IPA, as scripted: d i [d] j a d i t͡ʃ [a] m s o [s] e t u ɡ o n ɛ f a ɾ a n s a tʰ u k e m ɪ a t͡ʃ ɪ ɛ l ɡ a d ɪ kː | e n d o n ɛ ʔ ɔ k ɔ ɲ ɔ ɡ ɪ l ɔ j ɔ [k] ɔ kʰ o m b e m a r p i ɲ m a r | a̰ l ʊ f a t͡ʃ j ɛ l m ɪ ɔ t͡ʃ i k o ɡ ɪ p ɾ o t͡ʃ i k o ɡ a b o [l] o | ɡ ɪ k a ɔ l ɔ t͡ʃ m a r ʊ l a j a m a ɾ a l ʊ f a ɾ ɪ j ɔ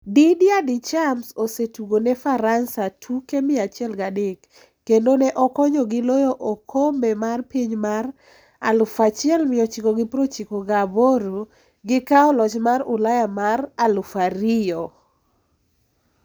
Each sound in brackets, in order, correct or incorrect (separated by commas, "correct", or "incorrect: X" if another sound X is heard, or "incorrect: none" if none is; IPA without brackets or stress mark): correct, correct, correct, incorrect: ʔ, incorrect: ɾ